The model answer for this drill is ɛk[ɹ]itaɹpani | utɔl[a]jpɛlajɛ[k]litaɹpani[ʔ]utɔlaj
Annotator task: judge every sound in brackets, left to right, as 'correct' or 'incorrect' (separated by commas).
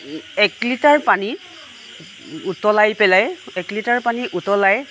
incorrect, correct, correct, correct